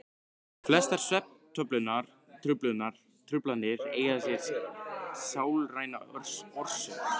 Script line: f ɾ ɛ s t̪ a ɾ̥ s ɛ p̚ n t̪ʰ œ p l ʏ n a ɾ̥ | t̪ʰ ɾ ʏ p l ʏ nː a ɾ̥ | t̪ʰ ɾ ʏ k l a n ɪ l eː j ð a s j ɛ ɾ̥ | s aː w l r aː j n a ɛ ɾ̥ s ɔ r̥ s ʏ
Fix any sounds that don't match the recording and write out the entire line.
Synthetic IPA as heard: f l ɛ s t̪ a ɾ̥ s ɛ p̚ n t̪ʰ œ p l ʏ n a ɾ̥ | t̪ʰ ɾ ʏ p l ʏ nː a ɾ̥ | t̪ʰ ɾ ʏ p l a n ɪ ɾ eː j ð a s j ɛ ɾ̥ | s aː w l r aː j n a œ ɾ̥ s ɔ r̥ s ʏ